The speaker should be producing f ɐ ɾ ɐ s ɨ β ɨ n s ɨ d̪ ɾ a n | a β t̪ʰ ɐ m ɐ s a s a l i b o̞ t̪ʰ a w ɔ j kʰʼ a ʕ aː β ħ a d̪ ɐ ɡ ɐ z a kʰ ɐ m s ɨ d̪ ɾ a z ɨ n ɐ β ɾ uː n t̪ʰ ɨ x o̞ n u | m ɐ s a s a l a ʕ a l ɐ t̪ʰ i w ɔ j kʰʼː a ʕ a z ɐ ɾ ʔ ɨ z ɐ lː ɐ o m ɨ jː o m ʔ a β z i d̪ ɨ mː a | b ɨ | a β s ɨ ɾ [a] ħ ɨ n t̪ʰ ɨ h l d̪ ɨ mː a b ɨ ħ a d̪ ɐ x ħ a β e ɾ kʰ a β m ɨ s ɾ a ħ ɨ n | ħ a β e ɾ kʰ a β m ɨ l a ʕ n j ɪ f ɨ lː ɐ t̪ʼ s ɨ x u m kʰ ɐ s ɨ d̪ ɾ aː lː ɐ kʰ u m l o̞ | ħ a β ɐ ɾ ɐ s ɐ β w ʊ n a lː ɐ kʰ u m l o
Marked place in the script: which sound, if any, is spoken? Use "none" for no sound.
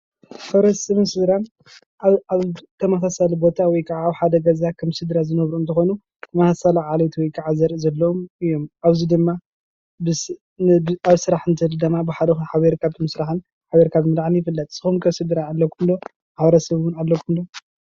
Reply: a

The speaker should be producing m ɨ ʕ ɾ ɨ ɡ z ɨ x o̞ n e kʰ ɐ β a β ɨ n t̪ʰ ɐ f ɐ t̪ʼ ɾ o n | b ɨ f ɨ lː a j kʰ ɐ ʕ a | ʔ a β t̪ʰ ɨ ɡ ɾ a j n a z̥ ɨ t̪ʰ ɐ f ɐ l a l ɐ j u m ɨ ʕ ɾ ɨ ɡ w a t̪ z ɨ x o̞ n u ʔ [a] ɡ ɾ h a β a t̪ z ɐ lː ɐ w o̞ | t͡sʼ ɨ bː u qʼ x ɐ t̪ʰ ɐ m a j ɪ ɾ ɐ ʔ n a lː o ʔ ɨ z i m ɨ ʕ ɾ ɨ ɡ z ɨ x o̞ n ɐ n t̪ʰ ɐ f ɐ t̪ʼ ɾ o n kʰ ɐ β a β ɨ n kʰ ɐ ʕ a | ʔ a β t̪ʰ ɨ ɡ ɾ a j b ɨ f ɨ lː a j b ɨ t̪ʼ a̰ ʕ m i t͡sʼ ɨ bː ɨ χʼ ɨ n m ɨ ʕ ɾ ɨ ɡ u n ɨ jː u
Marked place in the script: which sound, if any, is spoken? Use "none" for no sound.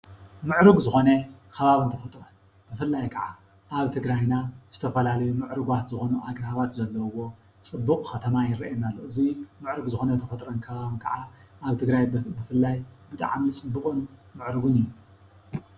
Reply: a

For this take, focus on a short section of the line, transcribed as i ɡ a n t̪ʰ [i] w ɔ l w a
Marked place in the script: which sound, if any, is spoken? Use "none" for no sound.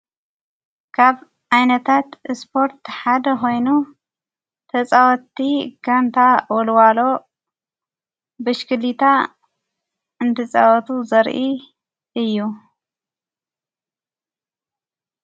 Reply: a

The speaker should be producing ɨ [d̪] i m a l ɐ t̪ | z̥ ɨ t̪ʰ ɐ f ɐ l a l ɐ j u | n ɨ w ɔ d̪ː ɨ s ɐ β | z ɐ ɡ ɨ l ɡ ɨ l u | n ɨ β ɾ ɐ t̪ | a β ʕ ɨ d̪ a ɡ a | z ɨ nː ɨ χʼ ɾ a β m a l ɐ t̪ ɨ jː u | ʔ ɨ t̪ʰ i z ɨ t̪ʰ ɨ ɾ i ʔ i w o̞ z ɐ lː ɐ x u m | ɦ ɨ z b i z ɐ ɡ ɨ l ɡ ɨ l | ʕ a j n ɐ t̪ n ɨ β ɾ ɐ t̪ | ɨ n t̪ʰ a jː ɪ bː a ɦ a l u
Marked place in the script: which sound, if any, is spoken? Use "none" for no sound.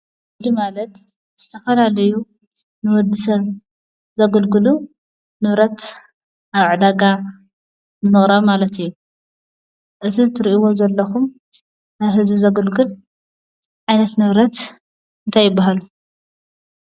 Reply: d̪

